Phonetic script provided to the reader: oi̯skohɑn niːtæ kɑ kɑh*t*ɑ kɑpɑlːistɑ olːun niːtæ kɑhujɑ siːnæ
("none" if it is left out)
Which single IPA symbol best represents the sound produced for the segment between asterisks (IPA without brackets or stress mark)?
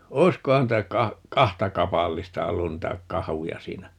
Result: t